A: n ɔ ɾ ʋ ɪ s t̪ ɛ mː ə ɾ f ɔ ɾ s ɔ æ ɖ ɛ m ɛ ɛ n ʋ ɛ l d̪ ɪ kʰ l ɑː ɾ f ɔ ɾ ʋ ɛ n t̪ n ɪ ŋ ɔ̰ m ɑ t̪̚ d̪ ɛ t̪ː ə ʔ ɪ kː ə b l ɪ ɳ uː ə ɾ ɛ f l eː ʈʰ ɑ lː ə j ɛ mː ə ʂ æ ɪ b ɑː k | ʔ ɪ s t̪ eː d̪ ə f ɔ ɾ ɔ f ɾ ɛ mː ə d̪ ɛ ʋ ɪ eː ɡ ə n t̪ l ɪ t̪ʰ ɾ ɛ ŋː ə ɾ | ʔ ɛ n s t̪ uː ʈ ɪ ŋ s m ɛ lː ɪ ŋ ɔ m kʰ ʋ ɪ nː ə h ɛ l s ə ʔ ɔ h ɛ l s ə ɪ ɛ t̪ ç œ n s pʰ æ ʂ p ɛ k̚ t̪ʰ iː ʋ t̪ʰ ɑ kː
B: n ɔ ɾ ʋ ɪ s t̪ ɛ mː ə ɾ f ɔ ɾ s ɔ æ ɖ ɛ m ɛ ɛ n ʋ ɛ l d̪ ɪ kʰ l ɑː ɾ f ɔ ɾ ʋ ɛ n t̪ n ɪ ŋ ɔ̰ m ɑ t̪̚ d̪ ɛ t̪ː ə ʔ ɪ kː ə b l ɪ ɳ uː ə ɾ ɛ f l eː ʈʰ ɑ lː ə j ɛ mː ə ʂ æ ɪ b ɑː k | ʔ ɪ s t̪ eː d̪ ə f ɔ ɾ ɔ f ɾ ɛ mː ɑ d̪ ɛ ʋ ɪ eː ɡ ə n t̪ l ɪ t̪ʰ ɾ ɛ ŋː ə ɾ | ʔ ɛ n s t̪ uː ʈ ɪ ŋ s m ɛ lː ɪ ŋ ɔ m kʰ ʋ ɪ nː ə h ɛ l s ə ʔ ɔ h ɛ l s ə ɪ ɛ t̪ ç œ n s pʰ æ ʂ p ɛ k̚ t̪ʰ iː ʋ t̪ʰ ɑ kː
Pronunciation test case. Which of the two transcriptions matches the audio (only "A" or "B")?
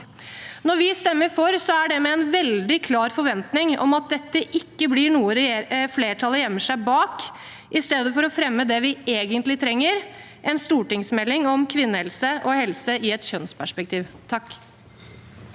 A